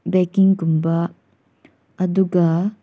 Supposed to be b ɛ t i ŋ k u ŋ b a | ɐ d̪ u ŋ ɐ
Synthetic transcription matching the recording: b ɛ k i ŋ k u m b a | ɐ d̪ u ɡ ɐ